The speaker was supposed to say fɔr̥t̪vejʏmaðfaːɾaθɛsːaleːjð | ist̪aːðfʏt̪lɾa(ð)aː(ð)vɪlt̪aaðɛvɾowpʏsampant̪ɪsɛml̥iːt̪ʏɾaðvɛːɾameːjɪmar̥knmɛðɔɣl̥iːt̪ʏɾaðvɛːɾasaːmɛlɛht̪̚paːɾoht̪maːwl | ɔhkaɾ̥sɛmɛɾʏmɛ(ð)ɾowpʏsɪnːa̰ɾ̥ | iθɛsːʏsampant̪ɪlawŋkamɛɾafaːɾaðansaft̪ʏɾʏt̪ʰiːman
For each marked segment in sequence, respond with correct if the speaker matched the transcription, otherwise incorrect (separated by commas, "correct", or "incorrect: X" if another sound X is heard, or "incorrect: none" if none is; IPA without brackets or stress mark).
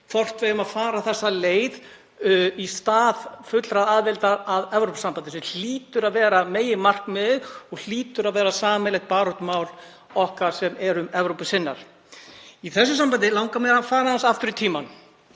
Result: correct, correct, incorrect: v